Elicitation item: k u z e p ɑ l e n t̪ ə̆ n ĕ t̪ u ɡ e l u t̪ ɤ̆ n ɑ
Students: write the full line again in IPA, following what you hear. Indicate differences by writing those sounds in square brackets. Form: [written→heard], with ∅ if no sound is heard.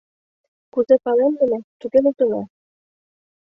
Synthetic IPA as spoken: k u z e p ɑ l e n [t̪→d̪] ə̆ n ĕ t̪ u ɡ e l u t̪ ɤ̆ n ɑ